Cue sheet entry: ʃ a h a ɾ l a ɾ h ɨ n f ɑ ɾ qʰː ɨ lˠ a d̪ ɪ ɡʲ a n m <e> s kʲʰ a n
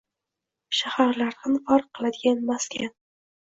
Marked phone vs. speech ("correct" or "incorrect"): incorrect